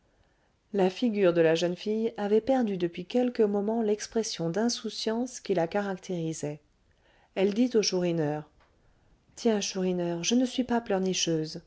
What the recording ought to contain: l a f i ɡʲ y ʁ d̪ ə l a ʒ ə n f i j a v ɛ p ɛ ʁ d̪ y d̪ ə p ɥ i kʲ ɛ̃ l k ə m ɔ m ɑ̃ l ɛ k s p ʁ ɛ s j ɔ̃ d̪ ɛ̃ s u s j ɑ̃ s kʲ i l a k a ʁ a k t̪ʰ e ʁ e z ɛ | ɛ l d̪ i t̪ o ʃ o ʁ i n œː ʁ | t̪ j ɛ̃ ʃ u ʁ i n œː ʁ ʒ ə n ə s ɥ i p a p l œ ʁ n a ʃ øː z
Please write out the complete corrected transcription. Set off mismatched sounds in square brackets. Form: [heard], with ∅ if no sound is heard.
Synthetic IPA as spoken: l a f i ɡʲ y ʁ d̪ ə l a ʒ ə n f i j a v ɛ p ɛ ʁ d̪ y d̪ ə p ɥ i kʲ [ɛ] l k ə m ɔ m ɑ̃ l ɛ k s p [χ] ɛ s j ɔ̃ d̪ ɛ̃ s u s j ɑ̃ s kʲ i l a k a ʁ a k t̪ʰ e ʁ [i] z ɛ | ɛ l d̪ i t̪ o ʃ [u] ʁ i n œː ʁ | t̪ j ɛ̃ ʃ u ʁ i n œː ʁ ʒ ə n ə s ɥ i p a p l œ ʁ n [i] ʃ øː z